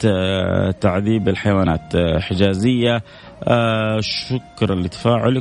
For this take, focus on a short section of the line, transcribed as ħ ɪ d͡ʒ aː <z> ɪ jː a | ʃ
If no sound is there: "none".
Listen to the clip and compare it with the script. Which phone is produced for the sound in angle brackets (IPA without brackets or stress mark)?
z